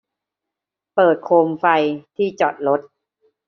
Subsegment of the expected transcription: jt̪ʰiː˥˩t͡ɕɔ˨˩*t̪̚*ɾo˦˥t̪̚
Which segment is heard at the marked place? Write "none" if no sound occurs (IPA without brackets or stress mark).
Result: t̪̚